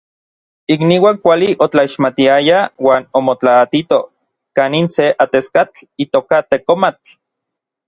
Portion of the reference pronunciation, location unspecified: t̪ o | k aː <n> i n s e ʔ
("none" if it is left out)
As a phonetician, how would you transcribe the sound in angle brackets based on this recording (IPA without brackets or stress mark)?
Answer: n